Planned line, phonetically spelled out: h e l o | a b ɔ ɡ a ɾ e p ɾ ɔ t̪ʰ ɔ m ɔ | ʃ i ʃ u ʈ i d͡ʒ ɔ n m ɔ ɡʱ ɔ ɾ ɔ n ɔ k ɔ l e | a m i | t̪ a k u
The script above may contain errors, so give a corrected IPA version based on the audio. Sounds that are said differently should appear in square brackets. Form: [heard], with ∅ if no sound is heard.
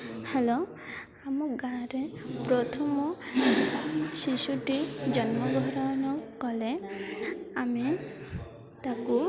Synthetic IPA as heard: h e l o | a [m] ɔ ɡ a ɾ e p ɾ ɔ t̪ʰ ɔ m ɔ | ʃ i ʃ u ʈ i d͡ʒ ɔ n m ɔ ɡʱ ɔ ɾ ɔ n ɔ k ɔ l e | a m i | t̪ a k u